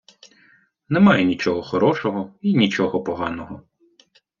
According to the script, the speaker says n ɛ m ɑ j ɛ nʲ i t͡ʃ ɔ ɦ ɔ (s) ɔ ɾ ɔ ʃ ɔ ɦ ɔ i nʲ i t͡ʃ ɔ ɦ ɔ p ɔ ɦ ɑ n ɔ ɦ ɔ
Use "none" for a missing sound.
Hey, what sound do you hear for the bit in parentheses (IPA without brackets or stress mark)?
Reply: x